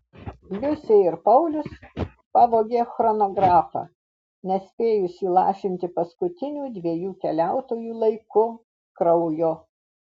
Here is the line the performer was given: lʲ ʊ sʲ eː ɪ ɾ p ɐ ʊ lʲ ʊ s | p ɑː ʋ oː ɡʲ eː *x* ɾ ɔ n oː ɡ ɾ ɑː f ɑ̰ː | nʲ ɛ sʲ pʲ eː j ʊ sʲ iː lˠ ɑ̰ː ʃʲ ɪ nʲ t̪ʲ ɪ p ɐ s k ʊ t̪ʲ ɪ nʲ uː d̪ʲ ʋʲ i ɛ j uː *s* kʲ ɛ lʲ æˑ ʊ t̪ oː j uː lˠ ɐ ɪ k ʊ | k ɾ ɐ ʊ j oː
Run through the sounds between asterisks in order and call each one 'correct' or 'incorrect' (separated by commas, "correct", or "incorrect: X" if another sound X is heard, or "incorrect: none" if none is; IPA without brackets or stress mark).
correct, incorrect: none